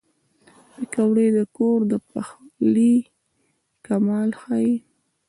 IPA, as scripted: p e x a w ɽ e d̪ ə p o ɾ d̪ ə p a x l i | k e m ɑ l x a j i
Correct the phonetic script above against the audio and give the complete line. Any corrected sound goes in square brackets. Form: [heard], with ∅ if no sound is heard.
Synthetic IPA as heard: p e [k] a w ɽ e d̪ ə [k] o ɾ d̪ ə p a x l i | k [a] m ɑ l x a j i